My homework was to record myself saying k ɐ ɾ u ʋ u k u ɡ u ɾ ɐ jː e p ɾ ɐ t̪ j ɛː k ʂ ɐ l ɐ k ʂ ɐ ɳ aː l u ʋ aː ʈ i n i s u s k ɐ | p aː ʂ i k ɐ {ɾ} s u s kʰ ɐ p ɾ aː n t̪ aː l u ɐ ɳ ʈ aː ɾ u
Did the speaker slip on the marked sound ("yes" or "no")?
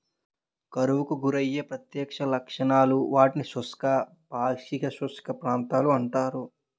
yes